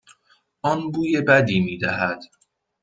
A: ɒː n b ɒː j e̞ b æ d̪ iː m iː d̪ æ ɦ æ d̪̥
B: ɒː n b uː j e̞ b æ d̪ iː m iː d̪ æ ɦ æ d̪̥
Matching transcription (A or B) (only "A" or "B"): B